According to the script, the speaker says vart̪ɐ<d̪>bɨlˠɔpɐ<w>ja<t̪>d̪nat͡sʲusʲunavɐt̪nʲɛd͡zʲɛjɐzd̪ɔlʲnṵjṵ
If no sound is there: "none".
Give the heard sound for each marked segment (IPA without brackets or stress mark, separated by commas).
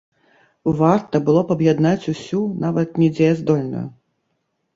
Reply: none, b, none